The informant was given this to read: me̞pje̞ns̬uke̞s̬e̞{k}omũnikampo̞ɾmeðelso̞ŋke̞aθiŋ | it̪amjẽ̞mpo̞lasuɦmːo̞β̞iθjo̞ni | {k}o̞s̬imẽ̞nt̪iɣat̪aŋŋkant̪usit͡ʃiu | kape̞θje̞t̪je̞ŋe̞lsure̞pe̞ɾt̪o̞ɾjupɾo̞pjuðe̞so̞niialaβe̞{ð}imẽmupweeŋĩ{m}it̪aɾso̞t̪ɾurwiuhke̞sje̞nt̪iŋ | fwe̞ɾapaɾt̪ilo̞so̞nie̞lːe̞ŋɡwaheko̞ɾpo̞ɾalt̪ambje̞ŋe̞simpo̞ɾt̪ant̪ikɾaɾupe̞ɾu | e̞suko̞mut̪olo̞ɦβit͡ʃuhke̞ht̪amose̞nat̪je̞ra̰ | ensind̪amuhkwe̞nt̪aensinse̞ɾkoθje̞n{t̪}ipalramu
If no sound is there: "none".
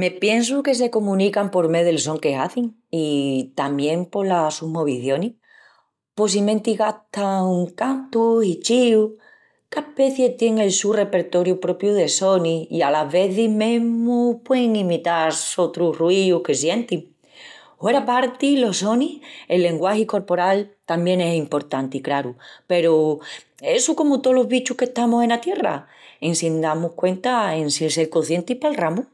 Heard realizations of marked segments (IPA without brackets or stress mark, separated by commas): k, p, θ, m, t̪